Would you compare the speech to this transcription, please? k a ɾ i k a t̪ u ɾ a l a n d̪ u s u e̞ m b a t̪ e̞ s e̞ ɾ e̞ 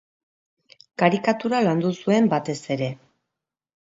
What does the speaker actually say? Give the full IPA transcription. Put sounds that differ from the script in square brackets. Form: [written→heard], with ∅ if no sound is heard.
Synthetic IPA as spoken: k a ɾ i k a t̪ u ɾ a l a n d̪ u s u e̞ m b a t̪ e̞ s e̞ ɾ e̞